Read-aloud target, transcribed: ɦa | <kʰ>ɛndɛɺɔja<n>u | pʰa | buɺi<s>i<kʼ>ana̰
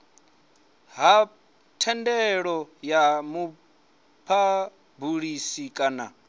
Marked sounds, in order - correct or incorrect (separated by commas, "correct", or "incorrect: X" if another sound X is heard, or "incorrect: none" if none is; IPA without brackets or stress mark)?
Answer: incorrect: tʰ, incorrect: m, correct, correct